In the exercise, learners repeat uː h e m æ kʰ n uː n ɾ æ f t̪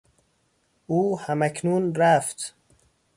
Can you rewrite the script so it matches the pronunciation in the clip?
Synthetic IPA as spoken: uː h æ m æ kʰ n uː n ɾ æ f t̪